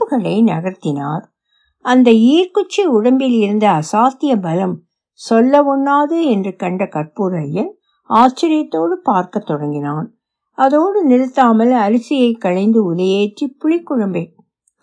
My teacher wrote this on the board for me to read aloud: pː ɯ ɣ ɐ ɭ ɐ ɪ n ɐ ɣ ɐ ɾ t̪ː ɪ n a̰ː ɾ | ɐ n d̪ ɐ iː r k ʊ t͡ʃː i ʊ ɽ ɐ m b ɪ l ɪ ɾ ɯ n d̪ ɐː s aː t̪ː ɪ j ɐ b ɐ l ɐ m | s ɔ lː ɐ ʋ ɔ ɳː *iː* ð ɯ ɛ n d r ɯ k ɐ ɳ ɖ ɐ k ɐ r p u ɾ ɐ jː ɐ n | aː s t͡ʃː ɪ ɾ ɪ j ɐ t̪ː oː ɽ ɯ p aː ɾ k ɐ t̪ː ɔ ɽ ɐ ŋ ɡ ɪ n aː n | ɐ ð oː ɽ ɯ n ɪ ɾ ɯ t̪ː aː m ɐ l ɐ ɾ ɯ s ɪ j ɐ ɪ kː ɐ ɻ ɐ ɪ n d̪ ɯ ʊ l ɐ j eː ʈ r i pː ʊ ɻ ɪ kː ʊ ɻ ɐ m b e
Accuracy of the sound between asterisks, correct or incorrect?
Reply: incorrect